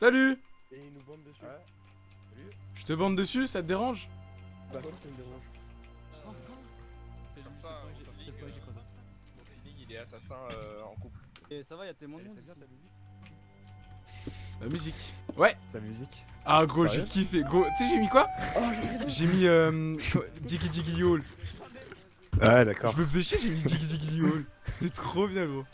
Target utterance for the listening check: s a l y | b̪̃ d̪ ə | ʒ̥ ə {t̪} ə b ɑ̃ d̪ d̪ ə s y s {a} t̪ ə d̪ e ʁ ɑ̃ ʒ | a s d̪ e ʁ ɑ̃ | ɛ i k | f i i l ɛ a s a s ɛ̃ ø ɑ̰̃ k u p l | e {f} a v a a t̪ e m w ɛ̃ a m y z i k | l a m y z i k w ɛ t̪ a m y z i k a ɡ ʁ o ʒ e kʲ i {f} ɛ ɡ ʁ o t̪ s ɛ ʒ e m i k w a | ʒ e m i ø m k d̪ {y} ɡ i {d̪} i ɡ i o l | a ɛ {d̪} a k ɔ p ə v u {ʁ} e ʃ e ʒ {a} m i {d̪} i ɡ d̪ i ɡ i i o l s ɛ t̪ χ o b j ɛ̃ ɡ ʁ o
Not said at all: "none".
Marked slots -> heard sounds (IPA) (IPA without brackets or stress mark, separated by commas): t̪, a, s, f, i, d̪, d̪, z, e, d̪